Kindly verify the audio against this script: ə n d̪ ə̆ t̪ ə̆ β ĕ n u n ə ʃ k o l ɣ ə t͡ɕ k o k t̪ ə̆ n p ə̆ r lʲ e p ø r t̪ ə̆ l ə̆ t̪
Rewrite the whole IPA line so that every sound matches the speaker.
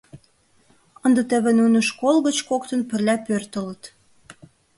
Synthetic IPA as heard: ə n d̪ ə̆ t̪ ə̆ β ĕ n u n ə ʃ k o l ɣ ə t͡ɕ k o k t̪ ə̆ n p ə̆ r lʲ æ p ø r t̪ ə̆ l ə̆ t̪

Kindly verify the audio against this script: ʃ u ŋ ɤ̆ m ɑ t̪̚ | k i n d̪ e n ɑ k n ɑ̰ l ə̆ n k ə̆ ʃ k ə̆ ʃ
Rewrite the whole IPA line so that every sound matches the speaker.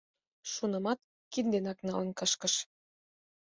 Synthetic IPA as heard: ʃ u n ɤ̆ m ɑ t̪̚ | k i n d̪ e n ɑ k n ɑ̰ l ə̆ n k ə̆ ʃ k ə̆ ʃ

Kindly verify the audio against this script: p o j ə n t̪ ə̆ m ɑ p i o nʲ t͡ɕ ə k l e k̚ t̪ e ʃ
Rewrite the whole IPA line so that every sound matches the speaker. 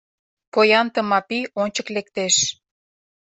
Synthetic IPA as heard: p o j ɑ n t̪ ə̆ m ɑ p i o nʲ t͡ɕ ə k l e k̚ t̪ e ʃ

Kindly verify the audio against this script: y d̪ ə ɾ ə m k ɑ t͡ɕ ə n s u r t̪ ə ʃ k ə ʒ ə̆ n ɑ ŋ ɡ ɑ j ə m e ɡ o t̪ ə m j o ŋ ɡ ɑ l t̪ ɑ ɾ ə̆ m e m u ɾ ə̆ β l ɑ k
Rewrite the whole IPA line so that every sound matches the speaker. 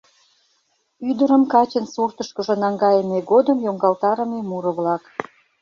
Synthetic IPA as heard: y d̪ ə ɾ ə m k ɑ t͡ɕ ə n s u r t̪ ə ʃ k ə ʒ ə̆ n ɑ ŋ ɡ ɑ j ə m e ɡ o d̪ ə m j o ŋ ɡ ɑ l t̪ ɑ ɾ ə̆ m e m u ɾ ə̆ β l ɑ k

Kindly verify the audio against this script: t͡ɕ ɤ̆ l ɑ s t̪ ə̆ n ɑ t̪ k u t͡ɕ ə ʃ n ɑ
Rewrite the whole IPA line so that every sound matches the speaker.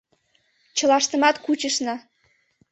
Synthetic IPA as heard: t͡ɕ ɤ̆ l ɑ ʃ t̪ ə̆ m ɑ t̪ k u t͡ɕ ə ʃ n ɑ

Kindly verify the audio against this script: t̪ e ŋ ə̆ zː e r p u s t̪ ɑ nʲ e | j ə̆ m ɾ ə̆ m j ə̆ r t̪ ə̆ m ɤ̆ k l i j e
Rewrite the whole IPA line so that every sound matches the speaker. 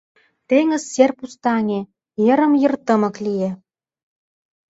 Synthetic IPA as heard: t̪ e ŋ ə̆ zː e r p u s t̪ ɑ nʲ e | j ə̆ ɾ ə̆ m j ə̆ r t̪ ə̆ m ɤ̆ k l i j e

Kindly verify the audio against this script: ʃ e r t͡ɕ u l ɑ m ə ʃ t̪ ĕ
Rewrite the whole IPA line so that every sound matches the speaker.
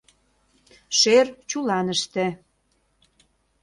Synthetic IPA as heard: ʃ e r t͡ɕ u l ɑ n ə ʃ t̪ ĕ

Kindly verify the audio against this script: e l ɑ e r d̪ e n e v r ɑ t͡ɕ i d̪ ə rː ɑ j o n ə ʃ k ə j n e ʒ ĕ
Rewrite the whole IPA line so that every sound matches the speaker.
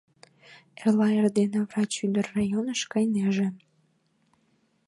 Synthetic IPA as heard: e l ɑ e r d̪ e n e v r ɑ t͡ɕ y d̪ ə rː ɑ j o n ə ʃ k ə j n e ʒ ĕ

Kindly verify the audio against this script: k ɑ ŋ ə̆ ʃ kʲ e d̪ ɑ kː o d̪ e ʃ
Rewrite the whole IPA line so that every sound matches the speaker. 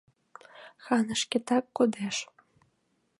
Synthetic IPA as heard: x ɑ n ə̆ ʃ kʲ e t̪ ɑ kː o d̪ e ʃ

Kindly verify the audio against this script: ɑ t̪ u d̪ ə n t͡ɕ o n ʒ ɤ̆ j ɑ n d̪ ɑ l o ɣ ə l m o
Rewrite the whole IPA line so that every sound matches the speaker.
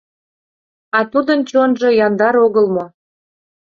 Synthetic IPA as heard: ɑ t̪ u d̪ ə n t͡ɕ o n ʒ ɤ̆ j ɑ n d̪ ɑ ɾ o ɣ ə l m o

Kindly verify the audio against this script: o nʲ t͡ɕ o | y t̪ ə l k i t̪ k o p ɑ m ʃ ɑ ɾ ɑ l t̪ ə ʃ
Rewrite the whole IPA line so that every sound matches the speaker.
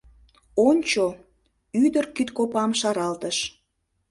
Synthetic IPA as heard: o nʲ t͡ɕ o | y d̪ ə r k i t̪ k o p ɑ m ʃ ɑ ɾ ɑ l t̪ ə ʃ

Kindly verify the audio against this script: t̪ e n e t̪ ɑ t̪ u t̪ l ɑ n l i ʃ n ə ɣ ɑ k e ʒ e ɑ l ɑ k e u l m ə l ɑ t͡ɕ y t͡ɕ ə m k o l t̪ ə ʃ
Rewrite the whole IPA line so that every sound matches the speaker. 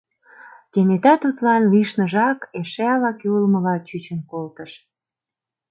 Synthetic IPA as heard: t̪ e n e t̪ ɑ t̪ u t̪ l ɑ n l i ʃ n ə ʒ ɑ k e ʃ e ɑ l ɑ k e u l m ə l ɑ t͡ɕ y t͡ɕ ə n k o l t̪ ə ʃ

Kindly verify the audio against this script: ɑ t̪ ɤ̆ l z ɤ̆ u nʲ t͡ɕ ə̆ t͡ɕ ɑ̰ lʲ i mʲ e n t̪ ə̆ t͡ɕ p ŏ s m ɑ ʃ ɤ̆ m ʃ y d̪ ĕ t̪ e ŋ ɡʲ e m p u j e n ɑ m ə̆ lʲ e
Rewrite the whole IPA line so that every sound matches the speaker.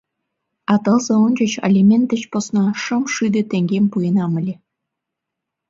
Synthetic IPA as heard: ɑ t̪ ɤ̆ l z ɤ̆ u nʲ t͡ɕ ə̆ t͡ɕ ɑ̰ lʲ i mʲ e n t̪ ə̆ t͡ɕ p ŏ s n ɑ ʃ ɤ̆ m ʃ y d̪ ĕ t̪ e ŋ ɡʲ e m p u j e n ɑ m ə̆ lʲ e

